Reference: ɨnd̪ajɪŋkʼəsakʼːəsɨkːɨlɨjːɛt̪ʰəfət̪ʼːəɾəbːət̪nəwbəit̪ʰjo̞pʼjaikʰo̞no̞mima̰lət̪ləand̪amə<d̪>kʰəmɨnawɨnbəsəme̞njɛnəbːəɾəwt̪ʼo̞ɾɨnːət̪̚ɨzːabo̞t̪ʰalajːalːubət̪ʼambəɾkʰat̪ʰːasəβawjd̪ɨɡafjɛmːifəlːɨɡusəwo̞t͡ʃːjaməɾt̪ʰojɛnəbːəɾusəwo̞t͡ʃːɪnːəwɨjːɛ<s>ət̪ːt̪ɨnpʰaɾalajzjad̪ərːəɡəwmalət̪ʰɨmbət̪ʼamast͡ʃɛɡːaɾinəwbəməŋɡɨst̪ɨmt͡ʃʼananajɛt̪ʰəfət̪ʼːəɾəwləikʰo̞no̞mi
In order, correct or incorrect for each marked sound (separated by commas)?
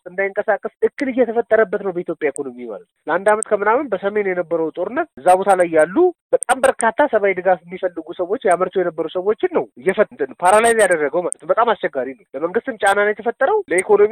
incorrect, incorrect